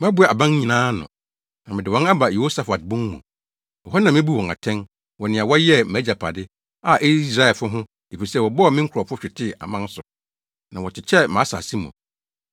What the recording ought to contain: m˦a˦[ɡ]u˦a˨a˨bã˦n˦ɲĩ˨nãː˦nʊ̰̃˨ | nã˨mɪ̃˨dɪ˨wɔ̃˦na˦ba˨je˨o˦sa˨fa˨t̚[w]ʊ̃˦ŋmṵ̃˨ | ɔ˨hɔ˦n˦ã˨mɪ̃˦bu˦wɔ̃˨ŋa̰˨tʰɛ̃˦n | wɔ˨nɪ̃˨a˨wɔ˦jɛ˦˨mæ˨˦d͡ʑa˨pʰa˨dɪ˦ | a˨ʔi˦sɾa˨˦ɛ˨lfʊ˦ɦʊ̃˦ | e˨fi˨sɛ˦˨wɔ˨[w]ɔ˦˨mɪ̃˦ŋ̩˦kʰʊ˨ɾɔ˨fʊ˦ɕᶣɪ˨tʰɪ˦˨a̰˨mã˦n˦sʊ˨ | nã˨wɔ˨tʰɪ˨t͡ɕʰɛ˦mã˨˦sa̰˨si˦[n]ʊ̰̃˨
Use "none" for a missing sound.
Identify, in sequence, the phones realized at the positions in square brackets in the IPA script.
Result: b, b, b, m

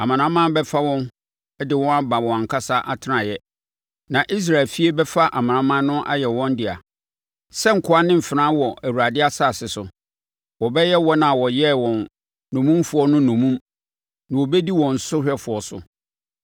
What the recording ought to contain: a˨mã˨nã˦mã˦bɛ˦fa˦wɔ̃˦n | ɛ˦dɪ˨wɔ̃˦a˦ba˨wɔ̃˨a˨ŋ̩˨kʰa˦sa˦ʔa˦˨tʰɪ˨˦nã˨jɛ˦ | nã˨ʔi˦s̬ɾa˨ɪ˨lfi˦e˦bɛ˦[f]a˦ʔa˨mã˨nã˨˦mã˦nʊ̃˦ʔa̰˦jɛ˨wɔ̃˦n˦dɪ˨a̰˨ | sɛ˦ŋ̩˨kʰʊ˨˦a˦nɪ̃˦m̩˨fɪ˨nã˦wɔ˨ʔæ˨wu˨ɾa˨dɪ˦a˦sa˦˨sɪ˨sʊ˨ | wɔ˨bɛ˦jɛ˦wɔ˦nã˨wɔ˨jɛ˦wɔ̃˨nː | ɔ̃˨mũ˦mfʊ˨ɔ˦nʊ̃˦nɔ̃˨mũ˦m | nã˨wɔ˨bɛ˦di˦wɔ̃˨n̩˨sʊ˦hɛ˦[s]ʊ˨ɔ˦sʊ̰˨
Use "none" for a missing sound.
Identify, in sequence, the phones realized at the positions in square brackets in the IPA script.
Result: f, f

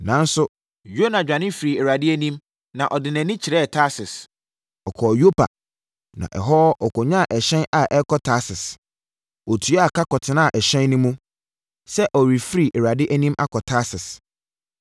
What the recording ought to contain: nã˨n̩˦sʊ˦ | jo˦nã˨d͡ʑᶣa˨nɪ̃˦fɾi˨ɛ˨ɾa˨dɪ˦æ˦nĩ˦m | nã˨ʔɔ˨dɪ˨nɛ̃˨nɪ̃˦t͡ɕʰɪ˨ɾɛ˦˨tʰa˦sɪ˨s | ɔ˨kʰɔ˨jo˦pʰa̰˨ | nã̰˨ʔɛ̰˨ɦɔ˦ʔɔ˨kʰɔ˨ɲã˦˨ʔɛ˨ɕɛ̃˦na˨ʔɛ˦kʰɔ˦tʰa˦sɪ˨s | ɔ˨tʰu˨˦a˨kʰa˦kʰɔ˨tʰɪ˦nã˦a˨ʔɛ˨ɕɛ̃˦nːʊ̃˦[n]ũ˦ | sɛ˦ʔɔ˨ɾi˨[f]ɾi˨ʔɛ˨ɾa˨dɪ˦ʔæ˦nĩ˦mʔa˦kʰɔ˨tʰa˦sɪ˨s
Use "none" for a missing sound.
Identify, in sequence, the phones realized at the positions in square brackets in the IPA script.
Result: m, f

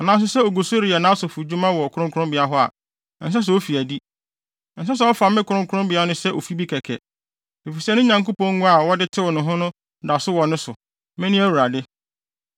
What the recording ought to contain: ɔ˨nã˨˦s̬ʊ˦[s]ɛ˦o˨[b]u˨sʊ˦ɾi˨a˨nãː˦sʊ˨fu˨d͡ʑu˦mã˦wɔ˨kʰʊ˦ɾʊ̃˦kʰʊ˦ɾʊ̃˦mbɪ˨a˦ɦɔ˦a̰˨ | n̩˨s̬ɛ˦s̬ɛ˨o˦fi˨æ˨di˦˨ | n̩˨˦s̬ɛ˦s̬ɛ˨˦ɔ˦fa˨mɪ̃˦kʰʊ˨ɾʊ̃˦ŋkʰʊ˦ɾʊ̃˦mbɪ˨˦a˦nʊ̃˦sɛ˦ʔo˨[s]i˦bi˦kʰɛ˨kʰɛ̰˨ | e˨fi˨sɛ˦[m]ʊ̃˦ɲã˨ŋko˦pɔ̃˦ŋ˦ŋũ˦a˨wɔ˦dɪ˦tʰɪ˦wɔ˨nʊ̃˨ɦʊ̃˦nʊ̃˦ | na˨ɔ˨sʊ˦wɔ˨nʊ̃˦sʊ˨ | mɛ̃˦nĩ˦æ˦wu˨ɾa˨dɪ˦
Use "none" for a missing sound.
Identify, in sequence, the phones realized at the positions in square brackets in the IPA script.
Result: s, ɡ, f, n

